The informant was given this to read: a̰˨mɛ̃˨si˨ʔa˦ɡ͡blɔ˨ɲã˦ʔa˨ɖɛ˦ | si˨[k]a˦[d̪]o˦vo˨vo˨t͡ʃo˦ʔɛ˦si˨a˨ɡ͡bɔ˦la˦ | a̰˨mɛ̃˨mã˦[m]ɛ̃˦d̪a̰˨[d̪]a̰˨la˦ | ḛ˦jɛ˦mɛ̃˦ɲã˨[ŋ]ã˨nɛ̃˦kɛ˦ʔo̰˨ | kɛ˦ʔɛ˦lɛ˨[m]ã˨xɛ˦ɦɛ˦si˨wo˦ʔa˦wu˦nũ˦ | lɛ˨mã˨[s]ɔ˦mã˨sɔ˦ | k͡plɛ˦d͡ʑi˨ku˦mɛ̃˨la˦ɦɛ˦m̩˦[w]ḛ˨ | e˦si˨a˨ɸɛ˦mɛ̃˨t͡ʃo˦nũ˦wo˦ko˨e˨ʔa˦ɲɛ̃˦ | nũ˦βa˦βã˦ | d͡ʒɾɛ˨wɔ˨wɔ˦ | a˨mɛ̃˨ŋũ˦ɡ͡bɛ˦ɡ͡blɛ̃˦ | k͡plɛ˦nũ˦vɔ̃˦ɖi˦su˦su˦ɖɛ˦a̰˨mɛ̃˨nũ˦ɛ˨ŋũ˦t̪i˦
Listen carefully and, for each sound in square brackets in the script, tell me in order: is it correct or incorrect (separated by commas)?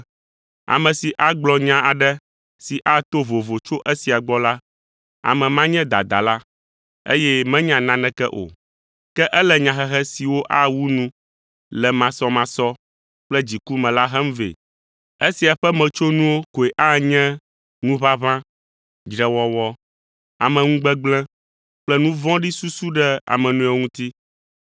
incorrect, incorrect, incorrect, correct, incorrect, incorrect, correct, incorrect